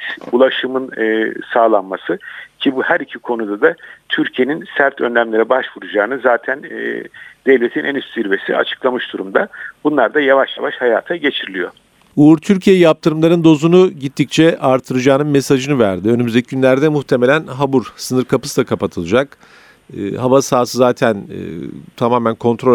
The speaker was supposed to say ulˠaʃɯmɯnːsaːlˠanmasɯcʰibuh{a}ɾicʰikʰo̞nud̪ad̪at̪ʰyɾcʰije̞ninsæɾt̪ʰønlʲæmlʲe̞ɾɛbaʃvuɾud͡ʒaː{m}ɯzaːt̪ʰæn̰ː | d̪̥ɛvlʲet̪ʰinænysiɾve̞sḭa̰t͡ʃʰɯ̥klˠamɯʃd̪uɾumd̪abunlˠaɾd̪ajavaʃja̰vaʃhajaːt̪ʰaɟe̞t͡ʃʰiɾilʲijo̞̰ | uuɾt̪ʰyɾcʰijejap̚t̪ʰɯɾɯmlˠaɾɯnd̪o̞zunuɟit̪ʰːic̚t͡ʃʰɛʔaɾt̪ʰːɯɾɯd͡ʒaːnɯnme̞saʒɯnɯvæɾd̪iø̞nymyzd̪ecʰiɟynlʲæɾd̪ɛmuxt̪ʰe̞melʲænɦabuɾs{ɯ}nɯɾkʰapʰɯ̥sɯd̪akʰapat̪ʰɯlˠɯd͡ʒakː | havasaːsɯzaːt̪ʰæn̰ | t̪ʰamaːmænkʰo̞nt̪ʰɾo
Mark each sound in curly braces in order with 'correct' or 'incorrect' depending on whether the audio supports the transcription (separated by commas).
incorrect, incorrect, correct